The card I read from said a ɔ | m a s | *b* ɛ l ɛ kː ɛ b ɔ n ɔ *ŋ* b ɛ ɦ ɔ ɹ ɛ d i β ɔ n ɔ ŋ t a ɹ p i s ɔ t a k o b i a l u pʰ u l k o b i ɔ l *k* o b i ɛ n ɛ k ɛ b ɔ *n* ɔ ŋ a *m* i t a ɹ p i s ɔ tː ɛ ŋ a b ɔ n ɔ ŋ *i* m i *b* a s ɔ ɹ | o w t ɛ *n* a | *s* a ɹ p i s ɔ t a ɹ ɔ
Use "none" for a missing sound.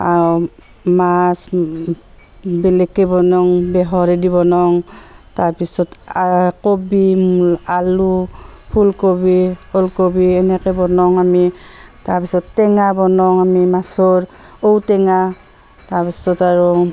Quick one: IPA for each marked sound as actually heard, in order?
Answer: b, ŋ, k, n, m, a, m, ŋ, t

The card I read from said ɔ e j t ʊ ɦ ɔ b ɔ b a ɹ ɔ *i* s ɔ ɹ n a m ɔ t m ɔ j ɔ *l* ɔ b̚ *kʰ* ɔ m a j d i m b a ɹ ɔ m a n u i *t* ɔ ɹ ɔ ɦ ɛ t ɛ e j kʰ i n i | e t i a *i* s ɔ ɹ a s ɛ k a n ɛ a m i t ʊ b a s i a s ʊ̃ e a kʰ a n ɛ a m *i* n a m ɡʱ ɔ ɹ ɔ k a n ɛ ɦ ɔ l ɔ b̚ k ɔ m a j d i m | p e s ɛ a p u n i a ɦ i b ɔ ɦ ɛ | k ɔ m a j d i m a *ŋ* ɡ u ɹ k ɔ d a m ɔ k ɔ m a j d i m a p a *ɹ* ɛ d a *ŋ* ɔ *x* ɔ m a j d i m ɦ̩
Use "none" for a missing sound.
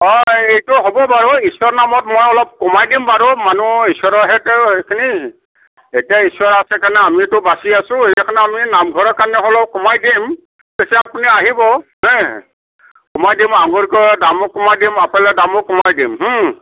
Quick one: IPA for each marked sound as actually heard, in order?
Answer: i, l, k, s, i, i, ŋ, l, m, k

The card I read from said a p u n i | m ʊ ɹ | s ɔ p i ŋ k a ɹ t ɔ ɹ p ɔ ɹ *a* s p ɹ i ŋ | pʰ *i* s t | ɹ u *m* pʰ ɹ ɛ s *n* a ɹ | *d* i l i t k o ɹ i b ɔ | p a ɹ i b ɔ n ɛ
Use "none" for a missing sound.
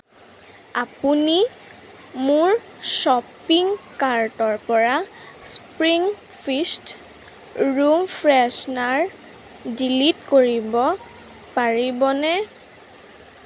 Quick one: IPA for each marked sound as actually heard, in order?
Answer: a, i, m, n, d

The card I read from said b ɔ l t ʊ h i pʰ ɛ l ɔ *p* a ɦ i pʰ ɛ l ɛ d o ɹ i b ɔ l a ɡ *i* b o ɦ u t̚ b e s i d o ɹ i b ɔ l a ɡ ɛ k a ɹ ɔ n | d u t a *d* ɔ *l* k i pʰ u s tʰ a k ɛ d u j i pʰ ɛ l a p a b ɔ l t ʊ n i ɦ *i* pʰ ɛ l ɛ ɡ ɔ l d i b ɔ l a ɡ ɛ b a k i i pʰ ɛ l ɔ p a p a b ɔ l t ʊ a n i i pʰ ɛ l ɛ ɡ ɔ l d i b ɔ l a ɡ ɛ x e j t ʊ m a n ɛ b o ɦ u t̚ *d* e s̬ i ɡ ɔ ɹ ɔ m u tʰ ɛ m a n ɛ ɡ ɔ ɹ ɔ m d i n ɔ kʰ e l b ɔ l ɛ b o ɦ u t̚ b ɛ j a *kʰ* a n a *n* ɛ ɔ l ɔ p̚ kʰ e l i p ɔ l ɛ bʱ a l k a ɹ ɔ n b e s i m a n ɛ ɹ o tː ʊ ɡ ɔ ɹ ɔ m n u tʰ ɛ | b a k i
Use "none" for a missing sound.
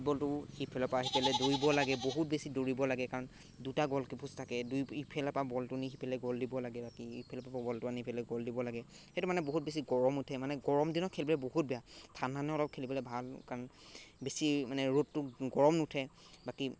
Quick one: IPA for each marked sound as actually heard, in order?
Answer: p, ɛ, ɡ, l, i, b, tʰ, n

